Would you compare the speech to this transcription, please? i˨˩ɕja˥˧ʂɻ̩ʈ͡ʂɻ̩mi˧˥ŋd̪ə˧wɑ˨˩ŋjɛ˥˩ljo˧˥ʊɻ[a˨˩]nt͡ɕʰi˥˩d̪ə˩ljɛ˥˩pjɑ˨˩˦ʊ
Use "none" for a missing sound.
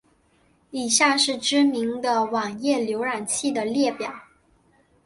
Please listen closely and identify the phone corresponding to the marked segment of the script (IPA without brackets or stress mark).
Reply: a˨˩